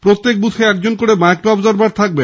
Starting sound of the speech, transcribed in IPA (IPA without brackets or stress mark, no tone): p